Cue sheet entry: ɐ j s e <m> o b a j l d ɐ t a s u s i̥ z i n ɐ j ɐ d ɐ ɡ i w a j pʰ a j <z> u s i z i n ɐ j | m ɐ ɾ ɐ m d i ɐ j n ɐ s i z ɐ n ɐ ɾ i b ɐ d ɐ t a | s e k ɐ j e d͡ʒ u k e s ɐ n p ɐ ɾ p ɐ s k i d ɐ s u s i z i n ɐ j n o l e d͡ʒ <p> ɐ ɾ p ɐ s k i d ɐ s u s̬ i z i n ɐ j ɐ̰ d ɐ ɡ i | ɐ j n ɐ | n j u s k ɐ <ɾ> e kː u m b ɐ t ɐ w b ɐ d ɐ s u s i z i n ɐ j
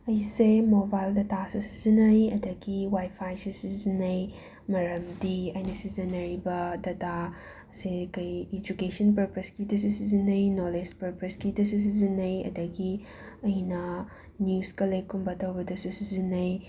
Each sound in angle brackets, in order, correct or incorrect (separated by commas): correct, incorrect, correct, incorrect